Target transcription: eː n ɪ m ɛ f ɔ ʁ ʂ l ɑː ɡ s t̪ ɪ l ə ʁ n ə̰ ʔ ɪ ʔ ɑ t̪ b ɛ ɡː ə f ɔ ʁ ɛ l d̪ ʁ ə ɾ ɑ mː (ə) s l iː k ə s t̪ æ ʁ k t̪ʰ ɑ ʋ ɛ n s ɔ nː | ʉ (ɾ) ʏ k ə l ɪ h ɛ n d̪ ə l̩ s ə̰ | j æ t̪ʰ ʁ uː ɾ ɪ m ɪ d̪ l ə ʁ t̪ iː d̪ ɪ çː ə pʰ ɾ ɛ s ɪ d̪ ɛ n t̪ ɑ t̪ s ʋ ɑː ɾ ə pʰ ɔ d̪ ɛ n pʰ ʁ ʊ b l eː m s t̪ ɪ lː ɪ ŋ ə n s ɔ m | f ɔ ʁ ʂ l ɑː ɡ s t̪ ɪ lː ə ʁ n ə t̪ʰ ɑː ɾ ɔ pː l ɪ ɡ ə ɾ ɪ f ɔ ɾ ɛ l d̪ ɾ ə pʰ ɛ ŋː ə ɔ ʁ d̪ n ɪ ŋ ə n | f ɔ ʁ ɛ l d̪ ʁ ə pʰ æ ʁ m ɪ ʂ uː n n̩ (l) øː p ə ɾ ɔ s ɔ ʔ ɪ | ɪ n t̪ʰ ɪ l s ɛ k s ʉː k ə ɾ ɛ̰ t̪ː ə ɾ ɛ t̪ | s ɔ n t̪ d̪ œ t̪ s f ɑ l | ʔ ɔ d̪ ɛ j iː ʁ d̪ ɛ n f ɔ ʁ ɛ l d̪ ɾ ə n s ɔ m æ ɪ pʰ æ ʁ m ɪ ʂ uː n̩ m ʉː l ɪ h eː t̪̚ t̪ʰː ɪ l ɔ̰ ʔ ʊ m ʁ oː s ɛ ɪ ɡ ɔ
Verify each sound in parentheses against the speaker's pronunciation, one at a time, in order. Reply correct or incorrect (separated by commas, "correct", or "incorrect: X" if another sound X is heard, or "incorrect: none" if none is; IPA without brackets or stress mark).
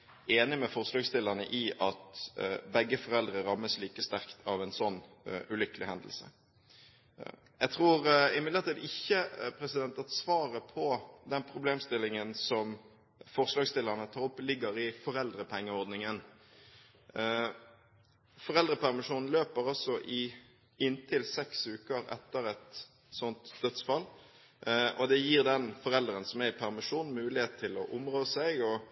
correct, incorrect: l, correct